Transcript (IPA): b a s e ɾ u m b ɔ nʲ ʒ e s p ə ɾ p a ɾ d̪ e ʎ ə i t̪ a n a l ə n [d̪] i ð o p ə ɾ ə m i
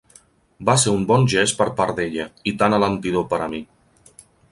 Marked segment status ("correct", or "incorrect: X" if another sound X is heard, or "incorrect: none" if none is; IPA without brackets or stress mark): incorrect: t̪